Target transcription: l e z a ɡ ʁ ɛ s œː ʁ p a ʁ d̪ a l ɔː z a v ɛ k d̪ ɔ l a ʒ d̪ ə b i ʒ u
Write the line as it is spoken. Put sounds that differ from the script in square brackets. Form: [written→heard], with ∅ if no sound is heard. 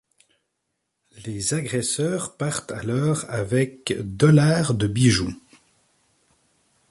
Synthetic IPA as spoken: l e z a ɡ ʁ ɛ s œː ʁ p a ʁ [d̪→t̪] a l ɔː [z→ʁ] a v ɛ k d̪ ɔ l a [ʒ→ʁ] d̪ ə b i ʒ u